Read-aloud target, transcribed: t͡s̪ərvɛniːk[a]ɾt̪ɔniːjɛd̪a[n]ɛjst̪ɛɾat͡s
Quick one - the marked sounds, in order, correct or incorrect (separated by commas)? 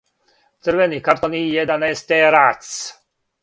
correct, correct